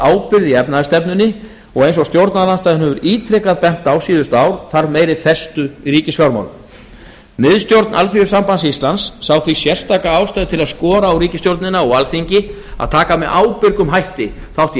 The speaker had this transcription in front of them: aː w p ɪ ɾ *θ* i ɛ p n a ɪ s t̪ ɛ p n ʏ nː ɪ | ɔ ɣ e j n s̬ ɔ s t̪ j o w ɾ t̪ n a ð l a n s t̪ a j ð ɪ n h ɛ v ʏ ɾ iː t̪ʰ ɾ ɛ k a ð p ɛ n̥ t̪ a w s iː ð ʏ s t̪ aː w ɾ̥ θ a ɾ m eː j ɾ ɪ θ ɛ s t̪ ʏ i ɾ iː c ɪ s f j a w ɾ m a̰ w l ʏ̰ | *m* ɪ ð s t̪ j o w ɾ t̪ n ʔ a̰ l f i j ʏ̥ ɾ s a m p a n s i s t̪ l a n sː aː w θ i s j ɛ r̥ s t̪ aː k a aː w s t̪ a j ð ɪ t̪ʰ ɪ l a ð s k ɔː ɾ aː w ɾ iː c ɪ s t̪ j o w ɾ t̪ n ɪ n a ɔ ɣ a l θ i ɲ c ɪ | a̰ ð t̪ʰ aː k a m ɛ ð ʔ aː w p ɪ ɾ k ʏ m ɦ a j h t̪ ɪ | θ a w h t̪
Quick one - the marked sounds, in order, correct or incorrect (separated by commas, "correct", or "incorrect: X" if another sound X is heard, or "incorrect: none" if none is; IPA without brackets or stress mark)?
incorrect: ð, correct